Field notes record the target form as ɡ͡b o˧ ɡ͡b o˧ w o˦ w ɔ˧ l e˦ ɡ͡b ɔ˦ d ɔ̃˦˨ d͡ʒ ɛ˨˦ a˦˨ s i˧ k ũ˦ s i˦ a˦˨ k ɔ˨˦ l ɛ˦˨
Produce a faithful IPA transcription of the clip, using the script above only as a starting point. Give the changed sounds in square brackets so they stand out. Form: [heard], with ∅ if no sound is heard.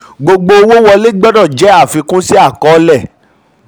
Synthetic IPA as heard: ɡ͡b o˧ ɡ͡b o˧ w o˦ w ɔ˧ l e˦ ɡ͡b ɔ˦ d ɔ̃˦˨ d͡ʒ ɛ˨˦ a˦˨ [f] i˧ k ũ˦ s i˦ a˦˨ k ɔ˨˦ l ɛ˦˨